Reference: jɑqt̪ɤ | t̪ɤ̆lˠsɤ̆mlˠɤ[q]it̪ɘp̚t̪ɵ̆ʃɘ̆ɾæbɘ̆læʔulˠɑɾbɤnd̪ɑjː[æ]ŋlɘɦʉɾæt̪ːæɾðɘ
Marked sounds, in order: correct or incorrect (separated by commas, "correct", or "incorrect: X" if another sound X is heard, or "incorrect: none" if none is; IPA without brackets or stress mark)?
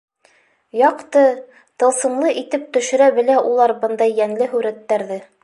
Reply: incorrect: ʔ, correct